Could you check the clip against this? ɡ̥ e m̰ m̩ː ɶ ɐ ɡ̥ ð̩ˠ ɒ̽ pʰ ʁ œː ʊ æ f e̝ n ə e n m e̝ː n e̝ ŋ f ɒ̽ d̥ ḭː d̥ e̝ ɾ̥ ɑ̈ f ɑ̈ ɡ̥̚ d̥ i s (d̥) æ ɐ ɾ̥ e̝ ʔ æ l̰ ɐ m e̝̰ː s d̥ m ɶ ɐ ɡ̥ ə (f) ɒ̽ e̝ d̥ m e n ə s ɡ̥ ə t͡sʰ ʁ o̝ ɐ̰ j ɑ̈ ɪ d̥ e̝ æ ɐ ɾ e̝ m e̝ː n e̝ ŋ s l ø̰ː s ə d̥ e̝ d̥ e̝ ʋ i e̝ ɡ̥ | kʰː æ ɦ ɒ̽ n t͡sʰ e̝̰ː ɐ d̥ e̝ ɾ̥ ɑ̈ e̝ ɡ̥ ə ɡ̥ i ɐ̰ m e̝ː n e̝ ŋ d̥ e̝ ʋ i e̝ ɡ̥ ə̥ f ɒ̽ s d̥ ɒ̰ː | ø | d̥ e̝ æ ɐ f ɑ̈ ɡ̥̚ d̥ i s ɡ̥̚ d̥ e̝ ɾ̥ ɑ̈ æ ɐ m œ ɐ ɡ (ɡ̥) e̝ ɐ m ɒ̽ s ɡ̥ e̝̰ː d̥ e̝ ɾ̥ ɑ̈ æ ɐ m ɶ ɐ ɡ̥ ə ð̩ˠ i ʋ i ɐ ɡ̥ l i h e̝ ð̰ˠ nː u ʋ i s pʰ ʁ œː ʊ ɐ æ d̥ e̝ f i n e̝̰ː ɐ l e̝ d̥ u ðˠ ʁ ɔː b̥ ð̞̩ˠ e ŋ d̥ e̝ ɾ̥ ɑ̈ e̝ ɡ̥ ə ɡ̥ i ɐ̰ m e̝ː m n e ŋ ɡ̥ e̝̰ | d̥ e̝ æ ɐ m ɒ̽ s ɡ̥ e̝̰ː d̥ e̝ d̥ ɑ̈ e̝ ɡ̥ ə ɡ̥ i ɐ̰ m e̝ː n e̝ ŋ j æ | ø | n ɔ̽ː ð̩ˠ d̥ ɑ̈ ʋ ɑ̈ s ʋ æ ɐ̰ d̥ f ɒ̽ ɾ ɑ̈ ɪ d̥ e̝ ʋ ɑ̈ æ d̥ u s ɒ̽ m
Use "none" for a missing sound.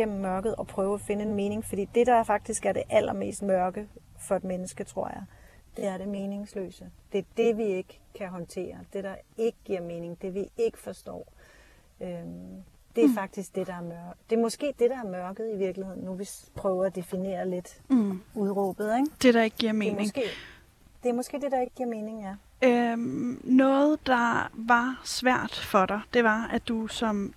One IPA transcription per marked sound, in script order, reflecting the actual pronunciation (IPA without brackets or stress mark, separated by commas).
ɡ̥, f, d̥